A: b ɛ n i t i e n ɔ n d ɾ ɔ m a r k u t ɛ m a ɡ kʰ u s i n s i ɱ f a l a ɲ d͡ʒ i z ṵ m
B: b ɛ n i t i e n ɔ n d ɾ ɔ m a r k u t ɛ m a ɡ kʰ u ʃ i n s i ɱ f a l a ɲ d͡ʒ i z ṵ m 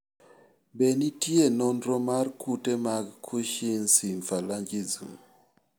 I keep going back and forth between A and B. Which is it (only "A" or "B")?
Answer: B